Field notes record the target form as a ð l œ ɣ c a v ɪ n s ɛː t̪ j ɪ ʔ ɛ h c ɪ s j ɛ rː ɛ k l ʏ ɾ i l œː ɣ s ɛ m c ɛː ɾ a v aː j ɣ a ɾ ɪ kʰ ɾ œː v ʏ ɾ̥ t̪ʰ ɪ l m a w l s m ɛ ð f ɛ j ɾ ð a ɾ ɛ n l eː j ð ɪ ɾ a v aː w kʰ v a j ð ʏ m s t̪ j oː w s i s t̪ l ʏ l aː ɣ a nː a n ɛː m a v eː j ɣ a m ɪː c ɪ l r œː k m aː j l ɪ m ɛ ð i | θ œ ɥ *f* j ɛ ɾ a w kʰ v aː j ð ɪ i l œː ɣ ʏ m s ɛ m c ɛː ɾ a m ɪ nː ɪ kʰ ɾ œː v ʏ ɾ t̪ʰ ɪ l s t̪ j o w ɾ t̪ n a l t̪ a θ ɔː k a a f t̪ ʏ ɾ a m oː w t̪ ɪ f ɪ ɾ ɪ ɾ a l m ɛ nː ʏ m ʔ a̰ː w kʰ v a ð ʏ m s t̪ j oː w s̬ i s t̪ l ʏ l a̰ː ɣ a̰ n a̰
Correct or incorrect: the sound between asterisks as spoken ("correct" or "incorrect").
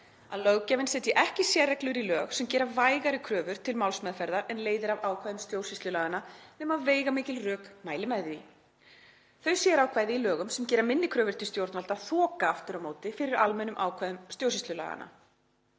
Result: incorrect